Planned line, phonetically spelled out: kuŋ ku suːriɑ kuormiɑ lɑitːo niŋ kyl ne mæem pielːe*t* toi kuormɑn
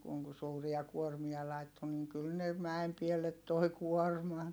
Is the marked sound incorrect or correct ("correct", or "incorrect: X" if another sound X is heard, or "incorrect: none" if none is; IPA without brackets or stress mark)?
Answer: correct